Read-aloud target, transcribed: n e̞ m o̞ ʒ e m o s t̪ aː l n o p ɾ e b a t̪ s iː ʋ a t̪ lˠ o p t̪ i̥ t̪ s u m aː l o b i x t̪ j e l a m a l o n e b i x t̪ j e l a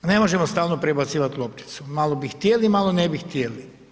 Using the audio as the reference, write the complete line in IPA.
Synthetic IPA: n e̞ m o̞ ʒ e m o s t̪ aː l n o p ɾ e b a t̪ s iː ʋ a t̪ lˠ o p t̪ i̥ t̪ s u m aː l o b i x t̪ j e l i m a l o n e b i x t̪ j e l i